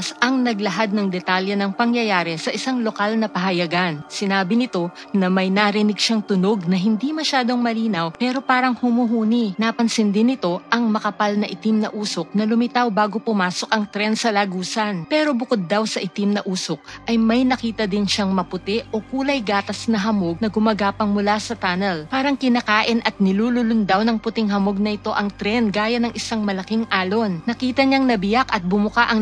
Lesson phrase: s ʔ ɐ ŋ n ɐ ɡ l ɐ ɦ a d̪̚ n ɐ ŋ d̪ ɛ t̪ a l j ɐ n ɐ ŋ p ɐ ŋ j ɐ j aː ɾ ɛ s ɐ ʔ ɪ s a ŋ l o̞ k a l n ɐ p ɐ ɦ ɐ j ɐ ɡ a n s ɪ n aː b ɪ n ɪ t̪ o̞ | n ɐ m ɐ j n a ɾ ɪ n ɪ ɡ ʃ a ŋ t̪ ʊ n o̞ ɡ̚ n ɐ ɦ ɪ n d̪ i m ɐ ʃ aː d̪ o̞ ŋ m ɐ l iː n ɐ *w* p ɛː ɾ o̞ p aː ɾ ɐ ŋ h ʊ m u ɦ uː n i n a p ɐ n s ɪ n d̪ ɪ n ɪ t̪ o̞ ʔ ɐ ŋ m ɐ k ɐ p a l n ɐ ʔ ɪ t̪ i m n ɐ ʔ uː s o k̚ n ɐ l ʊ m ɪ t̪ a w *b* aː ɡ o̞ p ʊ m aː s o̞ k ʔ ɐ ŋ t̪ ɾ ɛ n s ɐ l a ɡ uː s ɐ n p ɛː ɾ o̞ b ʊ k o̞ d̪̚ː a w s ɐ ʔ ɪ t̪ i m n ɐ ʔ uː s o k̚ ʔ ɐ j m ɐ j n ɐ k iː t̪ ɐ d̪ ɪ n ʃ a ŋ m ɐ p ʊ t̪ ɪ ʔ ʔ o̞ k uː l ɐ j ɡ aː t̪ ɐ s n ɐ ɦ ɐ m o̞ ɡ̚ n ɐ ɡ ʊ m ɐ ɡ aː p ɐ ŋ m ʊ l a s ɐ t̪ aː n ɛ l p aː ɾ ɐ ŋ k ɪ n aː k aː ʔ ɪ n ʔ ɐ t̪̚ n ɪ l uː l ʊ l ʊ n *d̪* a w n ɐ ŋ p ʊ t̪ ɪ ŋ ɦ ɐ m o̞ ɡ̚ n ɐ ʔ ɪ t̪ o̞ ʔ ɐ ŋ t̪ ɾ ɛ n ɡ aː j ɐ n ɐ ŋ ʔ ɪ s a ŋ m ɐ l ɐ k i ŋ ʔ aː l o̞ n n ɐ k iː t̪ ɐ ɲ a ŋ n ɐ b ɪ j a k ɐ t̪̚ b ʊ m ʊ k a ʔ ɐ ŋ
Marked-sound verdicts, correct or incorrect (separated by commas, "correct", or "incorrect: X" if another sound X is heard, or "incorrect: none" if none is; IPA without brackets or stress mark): correct, correct, correct